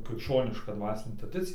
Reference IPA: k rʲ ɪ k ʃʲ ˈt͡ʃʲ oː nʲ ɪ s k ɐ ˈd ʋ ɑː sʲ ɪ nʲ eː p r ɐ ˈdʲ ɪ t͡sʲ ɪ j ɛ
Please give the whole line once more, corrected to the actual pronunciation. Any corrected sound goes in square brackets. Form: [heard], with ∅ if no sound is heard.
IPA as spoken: k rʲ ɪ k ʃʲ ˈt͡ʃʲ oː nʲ ɪ [ʃ] k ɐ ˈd ʋ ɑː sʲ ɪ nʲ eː [t] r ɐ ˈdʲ ɪ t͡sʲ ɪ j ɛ